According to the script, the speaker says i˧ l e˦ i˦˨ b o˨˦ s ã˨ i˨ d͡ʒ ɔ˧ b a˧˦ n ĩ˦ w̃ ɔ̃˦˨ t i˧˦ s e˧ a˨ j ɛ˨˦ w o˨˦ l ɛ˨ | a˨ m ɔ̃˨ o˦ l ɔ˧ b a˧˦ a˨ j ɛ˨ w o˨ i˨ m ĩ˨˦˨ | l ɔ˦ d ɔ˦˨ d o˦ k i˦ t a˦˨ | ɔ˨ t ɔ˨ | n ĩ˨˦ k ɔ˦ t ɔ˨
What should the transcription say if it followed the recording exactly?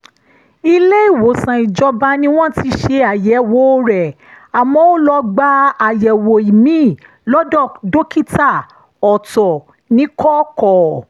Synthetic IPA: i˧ l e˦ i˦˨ w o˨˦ s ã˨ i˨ d͡ʒ ɔ˧ b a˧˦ n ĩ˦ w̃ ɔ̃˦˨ t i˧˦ ʃ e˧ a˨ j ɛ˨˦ w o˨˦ ɾ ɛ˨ | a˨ m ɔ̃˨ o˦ l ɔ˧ ɡ͡b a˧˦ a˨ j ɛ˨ w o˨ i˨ m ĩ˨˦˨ | l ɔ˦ d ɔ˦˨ d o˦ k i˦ t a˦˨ | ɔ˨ t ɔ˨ | n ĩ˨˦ k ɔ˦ k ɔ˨

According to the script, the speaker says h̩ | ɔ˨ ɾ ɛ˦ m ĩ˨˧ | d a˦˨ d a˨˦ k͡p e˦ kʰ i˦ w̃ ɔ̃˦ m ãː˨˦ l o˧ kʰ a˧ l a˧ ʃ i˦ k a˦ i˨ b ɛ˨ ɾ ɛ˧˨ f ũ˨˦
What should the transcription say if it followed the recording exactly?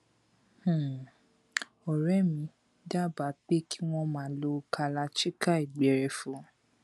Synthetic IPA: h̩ | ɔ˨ ɾ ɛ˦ m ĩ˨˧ | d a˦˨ b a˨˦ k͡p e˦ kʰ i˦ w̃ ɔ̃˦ m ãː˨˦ l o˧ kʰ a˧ l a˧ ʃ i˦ k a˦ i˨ ɡ͡b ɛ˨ ɾ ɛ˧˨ f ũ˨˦

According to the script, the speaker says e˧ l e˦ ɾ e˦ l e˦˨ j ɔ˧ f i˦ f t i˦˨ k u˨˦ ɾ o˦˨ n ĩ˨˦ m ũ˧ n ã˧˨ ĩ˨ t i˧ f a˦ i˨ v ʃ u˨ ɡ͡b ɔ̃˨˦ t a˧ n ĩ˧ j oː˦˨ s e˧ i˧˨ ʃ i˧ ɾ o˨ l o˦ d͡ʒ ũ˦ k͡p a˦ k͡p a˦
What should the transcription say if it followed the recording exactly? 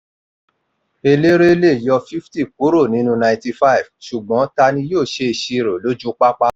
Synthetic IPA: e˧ l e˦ ɾ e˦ l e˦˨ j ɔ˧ f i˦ f t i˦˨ k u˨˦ ɾ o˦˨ n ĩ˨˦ n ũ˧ n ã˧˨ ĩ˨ t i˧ f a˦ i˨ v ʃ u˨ ɡ͡b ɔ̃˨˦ t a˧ n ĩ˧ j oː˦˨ ʃ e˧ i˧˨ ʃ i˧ ɾ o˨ l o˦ d͡ʒ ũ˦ k͡p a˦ k͡p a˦

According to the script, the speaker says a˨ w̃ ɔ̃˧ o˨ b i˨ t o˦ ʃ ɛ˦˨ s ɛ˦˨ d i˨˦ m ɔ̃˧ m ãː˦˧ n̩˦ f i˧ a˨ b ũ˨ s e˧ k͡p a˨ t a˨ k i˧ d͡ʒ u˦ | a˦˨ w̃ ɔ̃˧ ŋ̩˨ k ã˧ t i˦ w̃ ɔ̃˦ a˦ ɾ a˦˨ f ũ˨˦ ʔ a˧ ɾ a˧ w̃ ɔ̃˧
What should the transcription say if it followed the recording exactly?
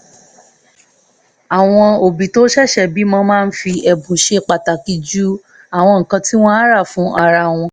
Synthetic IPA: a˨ w̃ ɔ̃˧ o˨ b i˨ t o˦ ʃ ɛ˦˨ ʃ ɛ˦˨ b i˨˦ m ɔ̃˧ m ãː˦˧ n̩˦ f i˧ ɛ˨ b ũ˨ ʃ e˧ k͡p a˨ t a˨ k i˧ d͡ʒ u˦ | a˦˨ w̃ ɔ̃˧ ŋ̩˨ k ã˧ t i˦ w̃ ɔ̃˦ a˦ ɾ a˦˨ f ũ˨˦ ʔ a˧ ɾ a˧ w̃ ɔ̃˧

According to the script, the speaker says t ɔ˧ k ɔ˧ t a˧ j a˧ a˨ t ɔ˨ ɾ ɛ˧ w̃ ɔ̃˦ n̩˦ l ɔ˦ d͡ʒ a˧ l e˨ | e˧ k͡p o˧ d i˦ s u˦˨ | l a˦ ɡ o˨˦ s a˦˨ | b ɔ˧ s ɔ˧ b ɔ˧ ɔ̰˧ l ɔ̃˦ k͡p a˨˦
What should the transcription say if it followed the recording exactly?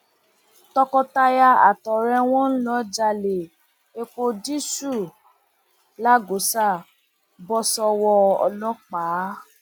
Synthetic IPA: t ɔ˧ k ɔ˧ t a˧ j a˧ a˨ t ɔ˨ ɾ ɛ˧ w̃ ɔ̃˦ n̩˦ l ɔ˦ d͡ʒ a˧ l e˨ | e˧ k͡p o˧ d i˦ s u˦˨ | l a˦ ɡ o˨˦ s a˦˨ | b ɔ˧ s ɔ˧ w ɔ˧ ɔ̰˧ l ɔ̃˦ k͡p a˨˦

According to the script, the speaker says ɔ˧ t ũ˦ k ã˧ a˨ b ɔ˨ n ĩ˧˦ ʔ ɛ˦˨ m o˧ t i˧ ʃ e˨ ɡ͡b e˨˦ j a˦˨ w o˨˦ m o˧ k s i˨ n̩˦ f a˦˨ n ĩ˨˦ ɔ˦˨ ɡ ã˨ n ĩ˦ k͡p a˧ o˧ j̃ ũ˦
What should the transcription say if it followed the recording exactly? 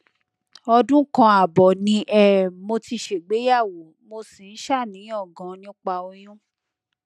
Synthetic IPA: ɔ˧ d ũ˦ k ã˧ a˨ b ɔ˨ n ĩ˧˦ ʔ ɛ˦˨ m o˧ t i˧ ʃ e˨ ɡ͡b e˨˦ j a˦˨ w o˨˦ m o˧ s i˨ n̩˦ ʃ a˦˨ n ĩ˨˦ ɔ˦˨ ɡ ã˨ n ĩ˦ k͡p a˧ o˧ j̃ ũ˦

